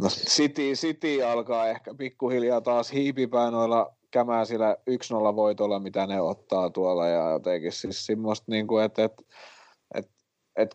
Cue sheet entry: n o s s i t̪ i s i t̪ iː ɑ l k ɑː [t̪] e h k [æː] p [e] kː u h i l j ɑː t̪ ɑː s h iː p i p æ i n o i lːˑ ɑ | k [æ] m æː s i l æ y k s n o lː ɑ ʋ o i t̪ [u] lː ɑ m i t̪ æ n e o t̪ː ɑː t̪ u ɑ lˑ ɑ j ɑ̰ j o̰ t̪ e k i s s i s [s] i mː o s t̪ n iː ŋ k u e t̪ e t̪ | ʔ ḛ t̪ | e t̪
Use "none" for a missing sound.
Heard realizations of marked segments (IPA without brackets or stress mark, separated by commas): none, æ, i, æ, o, s